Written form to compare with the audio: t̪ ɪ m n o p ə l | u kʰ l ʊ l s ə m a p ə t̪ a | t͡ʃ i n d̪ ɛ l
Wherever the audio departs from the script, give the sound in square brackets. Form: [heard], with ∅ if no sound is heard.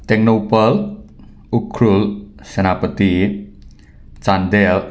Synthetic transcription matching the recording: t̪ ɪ [ŋ] n o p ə l | u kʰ [ɾ] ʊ l s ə [n] a p ə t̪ [i] | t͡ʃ [a] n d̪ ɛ l